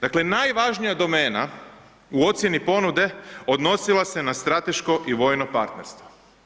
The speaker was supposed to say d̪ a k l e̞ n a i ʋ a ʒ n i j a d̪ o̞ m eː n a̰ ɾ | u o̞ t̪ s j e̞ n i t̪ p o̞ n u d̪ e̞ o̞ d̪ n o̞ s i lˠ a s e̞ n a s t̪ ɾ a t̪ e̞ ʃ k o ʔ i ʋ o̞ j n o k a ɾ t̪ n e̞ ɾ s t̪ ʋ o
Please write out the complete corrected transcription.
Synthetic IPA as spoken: d̪ a k l e̞ n a j ʋ a ʒ n i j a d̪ o̞ m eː n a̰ | u o̞ t̪ s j e̞ n i p o̞ n u d̪ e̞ o̞ d̪ n o̞ s i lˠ a s e̞ n a s t̪ ɾ a t̪ e̞ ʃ k o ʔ i ʋ o̞ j n o p a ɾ t̪ n e̞ ɾ s t̪ ʋ o